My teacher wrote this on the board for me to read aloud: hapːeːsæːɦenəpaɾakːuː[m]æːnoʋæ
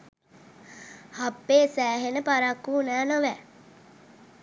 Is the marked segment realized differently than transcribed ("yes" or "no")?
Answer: yes